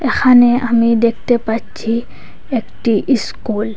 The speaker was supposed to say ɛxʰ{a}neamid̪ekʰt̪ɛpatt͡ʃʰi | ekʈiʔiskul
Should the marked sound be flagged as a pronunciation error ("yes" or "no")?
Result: no